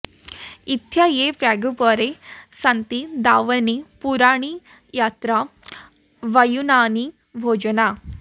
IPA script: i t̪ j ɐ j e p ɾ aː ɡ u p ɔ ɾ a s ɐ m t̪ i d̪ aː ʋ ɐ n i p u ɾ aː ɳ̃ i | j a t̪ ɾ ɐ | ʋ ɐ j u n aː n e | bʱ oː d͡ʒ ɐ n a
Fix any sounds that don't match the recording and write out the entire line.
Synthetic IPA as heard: i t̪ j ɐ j e p ɾ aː ɡ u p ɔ ɾ e s ɐ n t̪ i d̪ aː ʋ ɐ n i p u ɾ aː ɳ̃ i | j a t̪ ɾ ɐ | ʋ ɐ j u n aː n i | bʱ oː d͡ʒ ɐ n a